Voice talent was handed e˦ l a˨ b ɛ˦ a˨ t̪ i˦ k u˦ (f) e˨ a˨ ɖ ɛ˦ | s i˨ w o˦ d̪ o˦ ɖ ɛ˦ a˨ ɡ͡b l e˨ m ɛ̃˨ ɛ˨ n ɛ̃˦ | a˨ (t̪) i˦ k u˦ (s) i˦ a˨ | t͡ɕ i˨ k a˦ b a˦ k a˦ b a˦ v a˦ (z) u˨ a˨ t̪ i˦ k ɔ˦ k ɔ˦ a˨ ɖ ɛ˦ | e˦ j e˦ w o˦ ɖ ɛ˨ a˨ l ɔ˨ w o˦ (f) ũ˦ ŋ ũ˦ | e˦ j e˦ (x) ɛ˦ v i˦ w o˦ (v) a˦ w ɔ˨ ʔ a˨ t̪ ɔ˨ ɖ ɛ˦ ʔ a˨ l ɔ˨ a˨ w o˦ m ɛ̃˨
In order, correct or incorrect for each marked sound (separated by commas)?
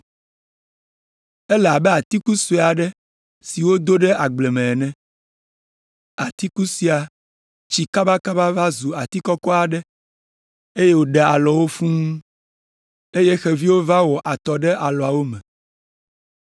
incorrect, correct, correct, correct, correct, correct, correct